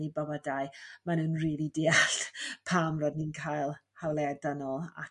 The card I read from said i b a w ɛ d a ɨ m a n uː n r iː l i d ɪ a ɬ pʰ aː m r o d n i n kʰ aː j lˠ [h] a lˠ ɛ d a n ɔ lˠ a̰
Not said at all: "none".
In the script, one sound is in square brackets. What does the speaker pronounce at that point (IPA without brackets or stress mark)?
h